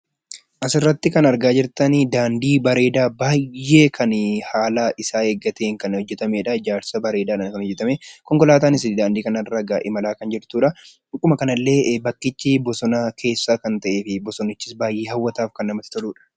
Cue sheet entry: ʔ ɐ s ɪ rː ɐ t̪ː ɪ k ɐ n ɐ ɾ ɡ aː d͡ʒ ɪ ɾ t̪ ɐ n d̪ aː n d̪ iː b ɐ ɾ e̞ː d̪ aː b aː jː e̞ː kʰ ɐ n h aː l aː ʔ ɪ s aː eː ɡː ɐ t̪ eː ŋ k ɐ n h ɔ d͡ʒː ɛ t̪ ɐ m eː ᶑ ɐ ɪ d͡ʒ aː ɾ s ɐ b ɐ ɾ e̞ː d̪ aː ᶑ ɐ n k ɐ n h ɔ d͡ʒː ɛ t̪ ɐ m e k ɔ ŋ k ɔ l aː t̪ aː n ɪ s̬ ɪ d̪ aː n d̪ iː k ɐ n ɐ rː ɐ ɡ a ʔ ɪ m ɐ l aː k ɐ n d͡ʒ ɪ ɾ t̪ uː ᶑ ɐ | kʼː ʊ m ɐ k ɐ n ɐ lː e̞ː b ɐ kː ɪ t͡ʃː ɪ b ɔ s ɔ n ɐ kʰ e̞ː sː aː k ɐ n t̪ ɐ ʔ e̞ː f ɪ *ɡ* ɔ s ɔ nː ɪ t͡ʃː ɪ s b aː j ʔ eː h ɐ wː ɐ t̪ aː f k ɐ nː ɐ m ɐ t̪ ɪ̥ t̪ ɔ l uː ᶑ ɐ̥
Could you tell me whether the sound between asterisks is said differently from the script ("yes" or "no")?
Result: yes